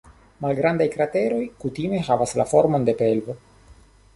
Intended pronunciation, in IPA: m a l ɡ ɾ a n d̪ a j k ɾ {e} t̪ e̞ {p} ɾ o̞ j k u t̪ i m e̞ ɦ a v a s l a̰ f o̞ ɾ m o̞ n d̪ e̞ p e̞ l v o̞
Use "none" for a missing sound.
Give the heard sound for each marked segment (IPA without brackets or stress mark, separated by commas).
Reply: a, none